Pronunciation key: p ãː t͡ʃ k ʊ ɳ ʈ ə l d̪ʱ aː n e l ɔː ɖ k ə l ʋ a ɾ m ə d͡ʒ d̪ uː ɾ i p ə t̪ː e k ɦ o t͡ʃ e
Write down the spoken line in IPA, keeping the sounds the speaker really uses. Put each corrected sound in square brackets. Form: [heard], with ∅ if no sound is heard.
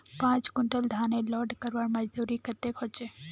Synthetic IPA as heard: p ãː t͡ʃ k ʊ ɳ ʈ ə l d̪ʱ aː n e l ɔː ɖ k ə [ɾ] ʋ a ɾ m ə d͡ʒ d̪ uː ɾ i [k] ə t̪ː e k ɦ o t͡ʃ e